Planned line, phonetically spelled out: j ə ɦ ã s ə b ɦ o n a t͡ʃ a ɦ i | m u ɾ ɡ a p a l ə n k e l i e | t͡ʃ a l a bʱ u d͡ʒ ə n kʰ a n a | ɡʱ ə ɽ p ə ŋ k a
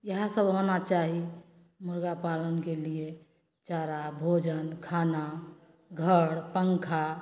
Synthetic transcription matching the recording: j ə ɦ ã s ə b ɦ o n a t͡ʃ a ɦ i | m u ɾ ɡ a p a l ə n k e l i e | t͡ʃ a ɾ a bʱ o d͡ʒ ə n kʰ a n a | ɡʱ ə ɽ p ə ŋ kʰ a